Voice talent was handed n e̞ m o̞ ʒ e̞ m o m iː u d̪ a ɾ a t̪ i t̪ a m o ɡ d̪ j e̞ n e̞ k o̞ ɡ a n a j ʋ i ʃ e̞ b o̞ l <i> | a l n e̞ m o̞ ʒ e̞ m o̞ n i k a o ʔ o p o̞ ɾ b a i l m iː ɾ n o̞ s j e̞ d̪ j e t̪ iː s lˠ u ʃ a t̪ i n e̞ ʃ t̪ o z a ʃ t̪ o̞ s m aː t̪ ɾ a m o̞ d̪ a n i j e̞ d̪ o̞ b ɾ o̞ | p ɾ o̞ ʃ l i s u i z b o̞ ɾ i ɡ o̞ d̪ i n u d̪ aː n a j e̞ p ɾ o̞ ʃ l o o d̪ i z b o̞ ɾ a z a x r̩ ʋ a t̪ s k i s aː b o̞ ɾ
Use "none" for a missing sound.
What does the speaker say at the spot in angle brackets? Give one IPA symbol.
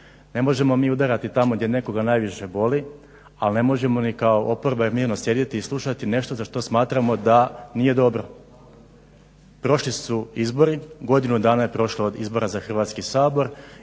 i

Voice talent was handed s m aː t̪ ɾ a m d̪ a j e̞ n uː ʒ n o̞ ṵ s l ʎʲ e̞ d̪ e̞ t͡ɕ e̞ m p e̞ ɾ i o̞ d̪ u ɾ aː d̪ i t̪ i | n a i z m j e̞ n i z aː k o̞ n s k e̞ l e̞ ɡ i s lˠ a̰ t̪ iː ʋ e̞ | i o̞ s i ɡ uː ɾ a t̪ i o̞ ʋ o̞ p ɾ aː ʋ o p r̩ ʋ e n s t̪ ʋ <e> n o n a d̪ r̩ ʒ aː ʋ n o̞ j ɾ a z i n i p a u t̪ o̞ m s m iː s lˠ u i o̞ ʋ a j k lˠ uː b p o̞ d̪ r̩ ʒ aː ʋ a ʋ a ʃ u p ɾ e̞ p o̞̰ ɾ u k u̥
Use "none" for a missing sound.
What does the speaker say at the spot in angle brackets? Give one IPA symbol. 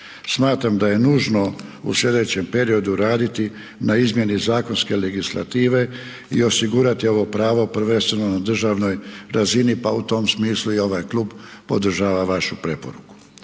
e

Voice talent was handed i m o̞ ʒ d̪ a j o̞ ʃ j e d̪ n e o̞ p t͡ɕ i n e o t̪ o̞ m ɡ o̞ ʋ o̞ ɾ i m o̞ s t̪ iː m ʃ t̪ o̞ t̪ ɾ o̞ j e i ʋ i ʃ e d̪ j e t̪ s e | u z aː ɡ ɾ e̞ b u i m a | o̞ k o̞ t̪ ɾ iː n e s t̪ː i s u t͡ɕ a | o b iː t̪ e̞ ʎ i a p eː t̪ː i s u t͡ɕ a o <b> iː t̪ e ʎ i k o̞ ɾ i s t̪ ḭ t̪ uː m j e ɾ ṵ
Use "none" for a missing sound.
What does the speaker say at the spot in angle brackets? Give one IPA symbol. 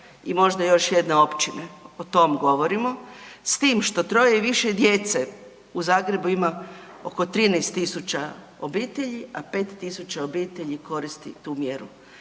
b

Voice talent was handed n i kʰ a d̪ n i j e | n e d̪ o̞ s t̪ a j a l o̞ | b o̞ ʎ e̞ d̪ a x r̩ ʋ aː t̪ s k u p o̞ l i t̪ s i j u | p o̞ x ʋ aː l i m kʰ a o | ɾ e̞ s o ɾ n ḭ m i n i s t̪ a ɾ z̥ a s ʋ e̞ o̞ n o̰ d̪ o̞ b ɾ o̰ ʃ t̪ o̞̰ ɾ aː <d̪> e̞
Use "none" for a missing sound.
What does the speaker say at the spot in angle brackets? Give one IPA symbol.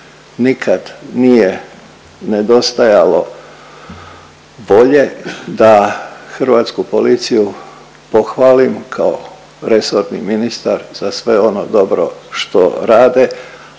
d̪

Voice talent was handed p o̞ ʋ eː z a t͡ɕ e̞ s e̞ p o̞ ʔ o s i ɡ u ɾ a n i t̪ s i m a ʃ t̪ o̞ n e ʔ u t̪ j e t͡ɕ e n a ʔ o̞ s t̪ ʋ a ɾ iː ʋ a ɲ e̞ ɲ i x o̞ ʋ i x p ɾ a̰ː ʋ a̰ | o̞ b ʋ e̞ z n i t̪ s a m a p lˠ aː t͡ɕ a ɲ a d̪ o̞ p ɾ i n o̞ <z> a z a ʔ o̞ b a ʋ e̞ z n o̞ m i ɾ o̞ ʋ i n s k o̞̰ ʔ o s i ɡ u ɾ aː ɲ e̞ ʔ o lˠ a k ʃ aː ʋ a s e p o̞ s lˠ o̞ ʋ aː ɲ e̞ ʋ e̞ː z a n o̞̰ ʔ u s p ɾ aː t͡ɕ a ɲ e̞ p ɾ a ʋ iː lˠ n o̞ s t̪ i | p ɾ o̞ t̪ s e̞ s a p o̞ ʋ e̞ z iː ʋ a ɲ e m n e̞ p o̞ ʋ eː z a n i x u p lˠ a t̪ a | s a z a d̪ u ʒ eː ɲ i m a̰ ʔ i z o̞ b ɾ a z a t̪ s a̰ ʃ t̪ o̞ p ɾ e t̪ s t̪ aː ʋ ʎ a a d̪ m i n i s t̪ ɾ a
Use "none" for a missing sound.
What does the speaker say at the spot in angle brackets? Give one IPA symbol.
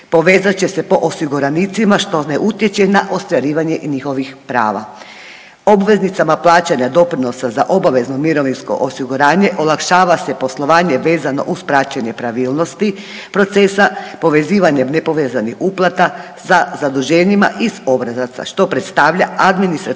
s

